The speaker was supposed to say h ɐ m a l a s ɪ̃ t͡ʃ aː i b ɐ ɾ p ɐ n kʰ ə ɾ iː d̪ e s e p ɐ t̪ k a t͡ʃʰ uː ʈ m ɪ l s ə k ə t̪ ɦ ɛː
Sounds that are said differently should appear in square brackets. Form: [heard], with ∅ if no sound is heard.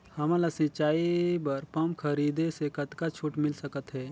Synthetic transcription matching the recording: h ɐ m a l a s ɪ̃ t͡ʃ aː i b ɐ ɾ p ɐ [m] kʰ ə ɾ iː d̪ e s e [k] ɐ t̪ k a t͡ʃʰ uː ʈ m ɪ l s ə k ə t̪ ɦ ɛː